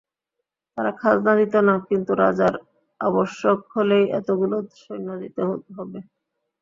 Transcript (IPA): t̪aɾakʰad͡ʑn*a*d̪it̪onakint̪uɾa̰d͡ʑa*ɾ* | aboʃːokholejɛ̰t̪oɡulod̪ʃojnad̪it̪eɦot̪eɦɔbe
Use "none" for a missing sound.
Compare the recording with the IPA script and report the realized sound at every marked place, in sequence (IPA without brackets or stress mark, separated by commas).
a, ɾ